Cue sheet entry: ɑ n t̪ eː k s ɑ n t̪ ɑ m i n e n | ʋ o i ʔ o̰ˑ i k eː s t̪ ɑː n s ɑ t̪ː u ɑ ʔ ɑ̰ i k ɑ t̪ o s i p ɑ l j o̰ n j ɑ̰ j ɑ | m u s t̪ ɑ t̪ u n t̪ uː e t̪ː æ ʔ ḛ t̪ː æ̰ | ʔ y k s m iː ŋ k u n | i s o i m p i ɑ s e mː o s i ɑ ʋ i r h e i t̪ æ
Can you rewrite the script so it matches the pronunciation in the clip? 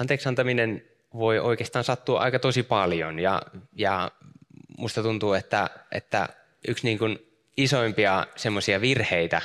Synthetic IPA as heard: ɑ n t̪ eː k s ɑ n t̪ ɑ m i n e n | ʋ o i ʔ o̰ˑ i k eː s t̪ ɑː n s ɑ t̪ː u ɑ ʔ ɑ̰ i k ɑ t̪ o s i p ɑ l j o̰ n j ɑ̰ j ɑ | m u s t̪ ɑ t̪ u n t̪ uː e t̪ː æ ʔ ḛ t̪ː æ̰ | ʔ y k s n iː ŋ k u n | i s o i m p i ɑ s e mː o s i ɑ ʋ i r h e i t̪ æ